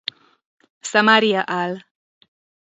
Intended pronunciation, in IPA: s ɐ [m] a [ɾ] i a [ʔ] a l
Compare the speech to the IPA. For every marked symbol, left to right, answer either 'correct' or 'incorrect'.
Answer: correct, correct, correct

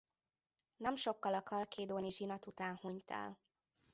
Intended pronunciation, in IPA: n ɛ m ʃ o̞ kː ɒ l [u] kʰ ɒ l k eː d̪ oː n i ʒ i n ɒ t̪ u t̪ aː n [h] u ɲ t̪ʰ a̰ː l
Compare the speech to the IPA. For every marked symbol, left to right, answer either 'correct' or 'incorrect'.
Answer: incorrect, correct

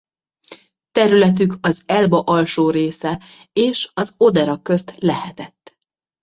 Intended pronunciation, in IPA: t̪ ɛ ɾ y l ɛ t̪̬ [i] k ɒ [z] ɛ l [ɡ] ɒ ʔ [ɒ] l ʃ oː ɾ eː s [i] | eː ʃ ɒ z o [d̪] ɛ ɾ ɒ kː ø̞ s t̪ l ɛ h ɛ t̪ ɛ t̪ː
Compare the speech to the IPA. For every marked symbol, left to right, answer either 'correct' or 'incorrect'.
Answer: incorrect, correct, incorrect, correct, incorrect, correct

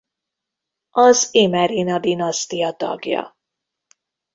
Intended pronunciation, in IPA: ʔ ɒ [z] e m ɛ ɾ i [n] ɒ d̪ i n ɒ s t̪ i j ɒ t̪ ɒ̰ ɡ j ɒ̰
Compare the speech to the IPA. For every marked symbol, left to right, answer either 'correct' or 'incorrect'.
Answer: correct, correct

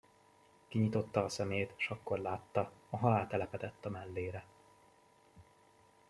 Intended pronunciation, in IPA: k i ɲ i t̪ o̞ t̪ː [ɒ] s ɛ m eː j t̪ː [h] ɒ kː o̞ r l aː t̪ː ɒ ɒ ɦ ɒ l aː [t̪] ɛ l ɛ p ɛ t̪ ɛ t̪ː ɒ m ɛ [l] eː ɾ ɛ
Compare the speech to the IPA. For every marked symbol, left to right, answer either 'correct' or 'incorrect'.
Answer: incorrect, incorrect, correct, incorrect

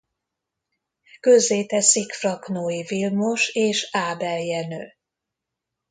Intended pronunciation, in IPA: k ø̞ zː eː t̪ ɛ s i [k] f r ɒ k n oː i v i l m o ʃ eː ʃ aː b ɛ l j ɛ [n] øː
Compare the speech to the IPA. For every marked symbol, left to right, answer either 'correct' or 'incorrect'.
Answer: correct, correct

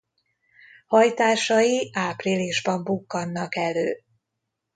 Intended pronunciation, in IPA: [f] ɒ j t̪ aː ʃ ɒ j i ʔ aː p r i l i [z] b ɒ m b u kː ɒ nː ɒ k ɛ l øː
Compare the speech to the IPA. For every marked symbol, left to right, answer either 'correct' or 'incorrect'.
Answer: incorrect, incorrect

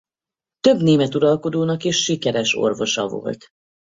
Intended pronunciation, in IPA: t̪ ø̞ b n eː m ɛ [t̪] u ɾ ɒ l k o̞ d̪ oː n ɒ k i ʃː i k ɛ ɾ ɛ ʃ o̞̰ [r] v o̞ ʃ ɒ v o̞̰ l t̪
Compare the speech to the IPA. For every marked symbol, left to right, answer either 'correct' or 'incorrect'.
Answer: correct, correct

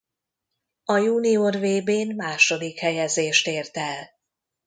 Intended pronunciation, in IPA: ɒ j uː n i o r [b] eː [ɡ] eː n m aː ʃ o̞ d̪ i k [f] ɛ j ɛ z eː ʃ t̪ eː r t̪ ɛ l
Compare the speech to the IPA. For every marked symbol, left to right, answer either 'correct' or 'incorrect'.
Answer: incorrect, incorrect, incorrect

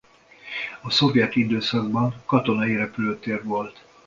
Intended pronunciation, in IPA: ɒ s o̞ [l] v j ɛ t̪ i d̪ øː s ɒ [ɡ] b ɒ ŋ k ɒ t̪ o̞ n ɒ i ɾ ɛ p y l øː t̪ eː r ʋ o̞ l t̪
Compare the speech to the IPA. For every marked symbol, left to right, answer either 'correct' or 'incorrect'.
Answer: incorrect, correct

